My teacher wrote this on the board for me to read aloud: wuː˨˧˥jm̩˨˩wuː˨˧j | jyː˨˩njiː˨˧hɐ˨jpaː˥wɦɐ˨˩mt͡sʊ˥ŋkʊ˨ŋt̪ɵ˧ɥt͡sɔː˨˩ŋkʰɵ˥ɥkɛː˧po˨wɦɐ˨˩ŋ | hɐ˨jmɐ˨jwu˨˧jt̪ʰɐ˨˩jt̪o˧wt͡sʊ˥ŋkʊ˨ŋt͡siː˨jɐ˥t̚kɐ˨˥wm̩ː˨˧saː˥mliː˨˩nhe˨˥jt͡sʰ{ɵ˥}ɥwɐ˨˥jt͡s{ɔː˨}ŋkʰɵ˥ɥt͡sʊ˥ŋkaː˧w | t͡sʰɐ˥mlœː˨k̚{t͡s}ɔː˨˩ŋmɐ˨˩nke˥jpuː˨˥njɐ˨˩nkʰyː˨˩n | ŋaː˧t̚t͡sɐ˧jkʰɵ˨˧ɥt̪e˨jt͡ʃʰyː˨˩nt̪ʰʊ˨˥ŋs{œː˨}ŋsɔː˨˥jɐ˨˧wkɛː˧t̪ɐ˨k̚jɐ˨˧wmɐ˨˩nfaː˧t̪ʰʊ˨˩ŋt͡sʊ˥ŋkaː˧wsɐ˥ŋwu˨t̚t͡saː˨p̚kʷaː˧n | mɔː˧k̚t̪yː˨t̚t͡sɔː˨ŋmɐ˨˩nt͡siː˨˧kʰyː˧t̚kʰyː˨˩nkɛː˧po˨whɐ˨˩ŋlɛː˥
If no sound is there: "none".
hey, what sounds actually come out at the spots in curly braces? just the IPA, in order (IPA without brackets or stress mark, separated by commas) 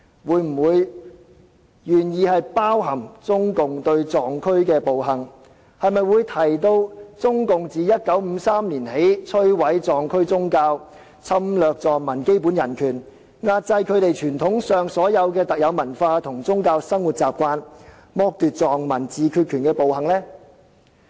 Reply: ɵ˥, ɔː˨, t͡s, œː˨